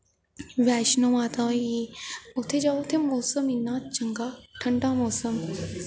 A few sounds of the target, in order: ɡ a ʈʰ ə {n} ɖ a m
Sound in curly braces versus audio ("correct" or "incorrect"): incorrect